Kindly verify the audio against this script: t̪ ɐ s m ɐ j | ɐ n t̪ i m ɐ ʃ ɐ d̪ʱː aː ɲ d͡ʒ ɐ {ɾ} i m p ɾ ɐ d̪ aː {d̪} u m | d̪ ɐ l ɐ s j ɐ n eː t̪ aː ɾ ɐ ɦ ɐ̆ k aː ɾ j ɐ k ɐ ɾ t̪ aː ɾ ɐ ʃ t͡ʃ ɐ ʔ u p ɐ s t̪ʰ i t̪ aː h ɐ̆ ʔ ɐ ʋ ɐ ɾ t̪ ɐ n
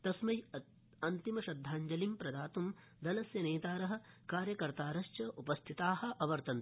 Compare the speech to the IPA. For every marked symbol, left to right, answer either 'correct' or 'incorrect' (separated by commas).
incorrect, incorrect